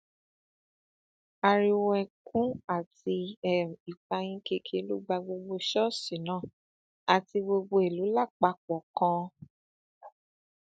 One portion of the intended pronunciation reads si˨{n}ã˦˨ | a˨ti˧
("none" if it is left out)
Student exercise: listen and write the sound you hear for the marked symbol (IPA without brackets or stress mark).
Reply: n